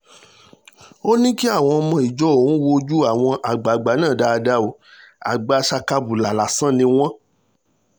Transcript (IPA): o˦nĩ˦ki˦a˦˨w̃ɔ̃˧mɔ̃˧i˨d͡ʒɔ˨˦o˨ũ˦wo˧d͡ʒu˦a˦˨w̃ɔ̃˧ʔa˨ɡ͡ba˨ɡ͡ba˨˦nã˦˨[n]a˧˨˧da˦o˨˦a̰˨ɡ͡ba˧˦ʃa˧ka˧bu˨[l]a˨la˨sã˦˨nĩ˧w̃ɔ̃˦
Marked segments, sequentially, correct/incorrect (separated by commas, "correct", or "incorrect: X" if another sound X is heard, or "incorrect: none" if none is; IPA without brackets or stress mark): incorrect: d, correct